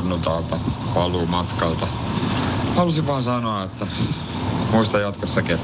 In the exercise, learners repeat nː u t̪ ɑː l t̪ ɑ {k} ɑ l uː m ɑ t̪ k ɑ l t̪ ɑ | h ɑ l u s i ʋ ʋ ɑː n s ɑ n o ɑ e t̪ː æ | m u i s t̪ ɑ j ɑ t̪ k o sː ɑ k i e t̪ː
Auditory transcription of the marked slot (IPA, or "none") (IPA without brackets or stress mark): p